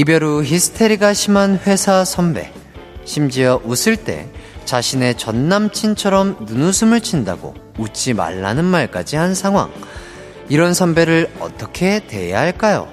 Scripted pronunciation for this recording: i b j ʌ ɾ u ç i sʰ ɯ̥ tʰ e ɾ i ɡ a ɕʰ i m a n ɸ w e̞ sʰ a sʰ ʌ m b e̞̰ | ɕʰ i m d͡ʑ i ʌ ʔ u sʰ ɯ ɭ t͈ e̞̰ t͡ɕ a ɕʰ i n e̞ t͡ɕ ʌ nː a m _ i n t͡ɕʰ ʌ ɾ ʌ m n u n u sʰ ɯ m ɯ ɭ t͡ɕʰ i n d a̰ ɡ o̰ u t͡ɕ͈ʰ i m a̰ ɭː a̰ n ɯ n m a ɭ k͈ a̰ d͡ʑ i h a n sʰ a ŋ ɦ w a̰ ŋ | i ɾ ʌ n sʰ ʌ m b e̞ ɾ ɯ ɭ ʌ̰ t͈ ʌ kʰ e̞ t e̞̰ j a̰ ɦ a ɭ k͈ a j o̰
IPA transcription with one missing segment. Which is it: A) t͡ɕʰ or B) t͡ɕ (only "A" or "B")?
A